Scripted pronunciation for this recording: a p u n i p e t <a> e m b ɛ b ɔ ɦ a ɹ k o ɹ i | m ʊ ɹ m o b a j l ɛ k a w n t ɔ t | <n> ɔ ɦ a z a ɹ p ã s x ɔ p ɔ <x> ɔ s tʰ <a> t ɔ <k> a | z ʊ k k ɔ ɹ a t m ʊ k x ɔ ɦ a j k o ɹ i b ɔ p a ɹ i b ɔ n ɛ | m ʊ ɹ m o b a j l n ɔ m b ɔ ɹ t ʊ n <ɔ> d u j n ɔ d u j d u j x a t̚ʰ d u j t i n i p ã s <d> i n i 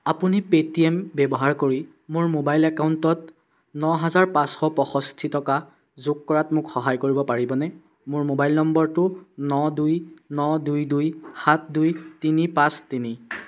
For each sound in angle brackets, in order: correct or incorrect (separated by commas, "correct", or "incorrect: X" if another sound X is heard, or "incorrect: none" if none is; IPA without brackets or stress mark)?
incorrect: i, correct, correct, incorrect: i, correct, correct, incorrect: t